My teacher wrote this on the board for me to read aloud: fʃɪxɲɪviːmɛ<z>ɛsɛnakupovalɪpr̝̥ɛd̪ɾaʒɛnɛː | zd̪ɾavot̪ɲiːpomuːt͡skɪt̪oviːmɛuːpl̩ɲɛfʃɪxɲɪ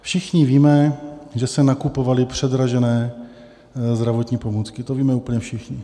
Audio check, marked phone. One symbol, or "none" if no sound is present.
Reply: ʒ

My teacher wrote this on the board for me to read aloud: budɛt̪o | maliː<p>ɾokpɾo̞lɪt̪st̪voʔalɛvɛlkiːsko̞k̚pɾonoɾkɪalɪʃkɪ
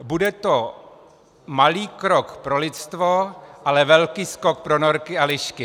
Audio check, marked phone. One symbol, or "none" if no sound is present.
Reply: k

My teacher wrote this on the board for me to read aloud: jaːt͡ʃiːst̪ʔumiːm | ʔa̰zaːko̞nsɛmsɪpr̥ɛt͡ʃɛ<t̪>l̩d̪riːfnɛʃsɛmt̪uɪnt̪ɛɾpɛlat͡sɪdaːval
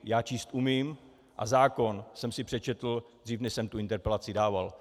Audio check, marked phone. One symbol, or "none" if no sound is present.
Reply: t̪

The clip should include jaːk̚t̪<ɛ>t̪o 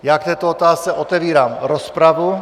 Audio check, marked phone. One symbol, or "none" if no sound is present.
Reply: ɛː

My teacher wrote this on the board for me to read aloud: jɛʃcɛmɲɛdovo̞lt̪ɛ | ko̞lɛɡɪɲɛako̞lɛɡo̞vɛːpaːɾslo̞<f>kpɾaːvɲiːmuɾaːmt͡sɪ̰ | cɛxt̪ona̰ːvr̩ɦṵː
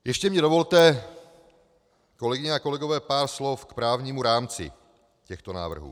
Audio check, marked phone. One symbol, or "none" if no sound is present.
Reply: f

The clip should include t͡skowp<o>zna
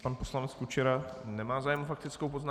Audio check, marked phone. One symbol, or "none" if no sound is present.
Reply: o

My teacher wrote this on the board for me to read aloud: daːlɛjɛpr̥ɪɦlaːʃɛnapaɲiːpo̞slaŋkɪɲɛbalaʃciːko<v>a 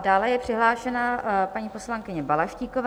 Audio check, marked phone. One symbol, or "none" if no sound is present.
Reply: v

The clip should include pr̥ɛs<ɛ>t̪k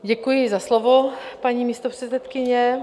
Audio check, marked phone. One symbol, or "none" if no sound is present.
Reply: ɛ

